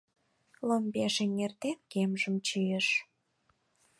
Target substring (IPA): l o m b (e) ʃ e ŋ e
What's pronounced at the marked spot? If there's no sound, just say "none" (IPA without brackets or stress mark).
e